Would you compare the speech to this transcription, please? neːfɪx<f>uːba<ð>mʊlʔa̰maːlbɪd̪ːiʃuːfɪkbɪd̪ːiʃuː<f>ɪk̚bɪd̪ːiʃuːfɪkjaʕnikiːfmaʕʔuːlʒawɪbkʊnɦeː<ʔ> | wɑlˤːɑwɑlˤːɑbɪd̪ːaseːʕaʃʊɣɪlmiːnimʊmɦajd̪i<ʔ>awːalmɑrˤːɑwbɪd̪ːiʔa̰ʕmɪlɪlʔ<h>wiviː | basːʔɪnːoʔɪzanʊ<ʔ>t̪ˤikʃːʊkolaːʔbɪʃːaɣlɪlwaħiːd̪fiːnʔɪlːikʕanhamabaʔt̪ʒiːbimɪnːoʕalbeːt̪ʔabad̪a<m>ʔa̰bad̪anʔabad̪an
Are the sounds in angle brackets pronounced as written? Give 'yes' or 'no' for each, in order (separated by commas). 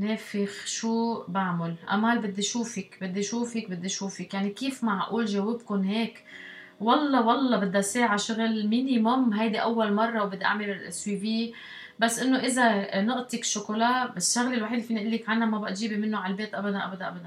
no, no, yes, no, yes, no, yes, no